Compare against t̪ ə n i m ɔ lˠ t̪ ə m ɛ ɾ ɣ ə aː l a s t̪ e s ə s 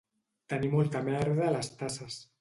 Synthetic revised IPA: t̪ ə n i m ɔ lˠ t̪ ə m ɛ ɾ ð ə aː l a s t̪ a s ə s